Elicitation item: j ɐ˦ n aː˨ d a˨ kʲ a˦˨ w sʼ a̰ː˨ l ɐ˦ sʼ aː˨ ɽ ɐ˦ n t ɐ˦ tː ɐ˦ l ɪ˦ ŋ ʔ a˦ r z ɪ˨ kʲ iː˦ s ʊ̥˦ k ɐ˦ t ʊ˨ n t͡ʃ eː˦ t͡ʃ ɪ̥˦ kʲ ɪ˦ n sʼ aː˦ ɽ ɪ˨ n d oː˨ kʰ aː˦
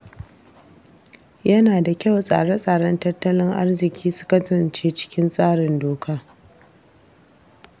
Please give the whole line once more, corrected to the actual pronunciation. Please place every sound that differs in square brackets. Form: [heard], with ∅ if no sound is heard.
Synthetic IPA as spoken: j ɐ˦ n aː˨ d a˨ kʲ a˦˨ w sʼ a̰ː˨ [ɽ] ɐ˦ sʼ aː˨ ɽ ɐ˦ n t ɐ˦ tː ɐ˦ l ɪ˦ ŋ ʔ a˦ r z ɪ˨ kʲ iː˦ s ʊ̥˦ k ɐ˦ t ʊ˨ n t͡ʃ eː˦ t͡ʃ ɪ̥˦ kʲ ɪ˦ n sʼ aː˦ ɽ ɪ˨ n d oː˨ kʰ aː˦